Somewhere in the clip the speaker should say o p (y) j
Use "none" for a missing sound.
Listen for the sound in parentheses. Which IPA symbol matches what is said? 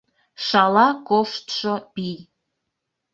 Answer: i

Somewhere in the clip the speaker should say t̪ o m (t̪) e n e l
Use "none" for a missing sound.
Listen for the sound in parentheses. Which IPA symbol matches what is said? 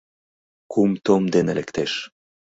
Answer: d̪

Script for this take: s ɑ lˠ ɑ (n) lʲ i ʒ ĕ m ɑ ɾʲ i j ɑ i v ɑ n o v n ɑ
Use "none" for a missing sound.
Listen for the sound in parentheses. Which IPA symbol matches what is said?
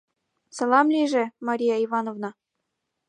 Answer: m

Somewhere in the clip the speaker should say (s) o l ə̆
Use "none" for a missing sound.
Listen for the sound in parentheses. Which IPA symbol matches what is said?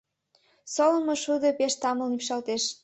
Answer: s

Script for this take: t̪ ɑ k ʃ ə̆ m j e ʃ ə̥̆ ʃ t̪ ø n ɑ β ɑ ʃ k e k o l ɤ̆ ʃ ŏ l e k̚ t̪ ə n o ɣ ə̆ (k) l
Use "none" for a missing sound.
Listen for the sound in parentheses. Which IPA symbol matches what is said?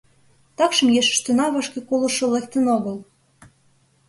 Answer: none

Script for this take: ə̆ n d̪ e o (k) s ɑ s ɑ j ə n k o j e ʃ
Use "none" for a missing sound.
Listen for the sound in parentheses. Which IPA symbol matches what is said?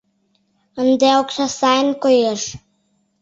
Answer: k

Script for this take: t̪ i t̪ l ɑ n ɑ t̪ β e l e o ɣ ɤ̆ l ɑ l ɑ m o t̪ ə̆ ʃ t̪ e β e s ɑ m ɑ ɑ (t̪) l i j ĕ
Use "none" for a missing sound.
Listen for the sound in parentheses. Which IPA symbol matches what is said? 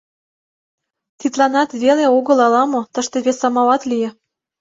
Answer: t̪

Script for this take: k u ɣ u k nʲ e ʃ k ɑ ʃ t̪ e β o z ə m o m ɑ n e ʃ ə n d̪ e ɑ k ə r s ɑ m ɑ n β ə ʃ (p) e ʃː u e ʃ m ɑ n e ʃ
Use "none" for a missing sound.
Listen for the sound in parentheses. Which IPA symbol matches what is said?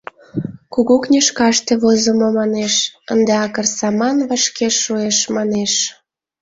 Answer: k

